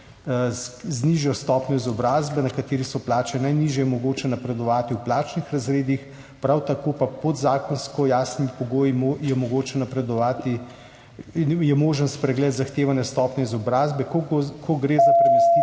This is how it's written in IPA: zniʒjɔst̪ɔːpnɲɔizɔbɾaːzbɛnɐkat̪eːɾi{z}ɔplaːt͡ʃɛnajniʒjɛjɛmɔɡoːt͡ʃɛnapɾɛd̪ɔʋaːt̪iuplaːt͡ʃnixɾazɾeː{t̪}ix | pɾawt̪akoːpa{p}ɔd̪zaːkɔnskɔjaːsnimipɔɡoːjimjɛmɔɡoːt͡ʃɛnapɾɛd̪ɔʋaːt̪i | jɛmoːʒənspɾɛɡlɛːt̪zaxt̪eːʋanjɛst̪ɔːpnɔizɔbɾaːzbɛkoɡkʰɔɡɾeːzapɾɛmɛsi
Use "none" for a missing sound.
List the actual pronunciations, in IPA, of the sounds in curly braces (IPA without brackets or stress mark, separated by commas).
s, d̪, p